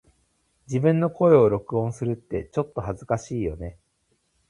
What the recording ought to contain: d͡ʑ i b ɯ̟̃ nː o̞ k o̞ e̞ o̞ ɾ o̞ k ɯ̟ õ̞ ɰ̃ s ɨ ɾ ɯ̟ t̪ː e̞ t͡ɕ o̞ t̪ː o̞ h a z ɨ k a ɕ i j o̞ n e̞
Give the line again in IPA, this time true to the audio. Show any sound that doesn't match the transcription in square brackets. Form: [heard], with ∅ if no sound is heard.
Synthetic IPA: d͡ʑ i b ɯ̟̃ nː o̞ k o̞ e̞ o̞ ɾ o̞ k ɯ̟ õ̞ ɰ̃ s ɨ ɾ ɯ̟ t̪ː e̞ t͡ɕ o̞ t̪ː o̞ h a z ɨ k a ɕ [iː] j o̞ n e̞